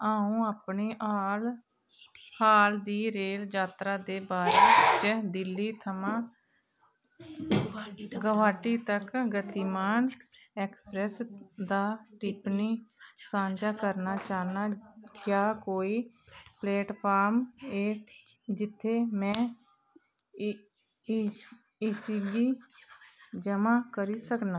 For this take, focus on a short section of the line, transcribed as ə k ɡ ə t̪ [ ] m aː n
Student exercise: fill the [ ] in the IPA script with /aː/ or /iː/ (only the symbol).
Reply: iː